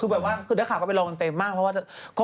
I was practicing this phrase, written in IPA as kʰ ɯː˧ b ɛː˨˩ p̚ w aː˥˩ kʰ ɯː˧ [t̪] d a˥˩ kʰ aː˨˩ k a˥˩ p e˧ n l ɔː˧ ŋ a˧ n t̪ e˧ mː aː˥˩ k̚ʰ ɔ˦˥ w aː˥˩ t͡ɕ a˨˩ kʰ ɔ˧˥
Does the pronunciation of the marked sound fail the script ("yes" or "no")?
yes